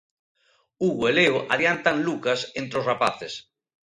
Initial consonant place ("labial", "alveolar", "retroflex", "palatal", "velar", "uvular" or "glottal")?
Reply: velar